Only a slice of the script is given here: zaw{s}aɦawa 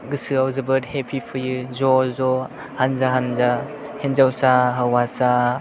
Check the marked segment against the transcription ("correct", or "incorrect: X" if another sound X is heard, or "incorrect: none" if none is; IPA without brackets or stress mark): correct